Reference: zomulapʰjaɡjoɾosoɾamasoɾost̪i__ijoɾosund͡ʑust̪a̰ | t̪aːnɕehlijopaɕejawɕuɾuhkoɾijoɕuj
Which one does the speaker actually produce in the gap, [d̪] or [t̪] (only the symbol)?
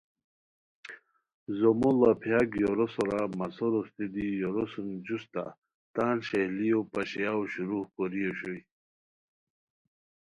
d̪